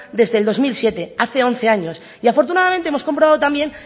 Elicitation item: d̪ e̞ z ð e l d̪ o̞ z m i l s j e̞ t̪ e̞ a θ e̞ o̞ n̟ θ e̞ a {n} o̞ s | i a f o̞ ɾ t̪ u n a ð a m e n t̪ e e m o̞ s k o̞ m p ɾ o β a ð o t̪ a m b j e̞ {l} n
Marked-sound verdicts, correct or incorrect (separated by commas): incorrect, incorrect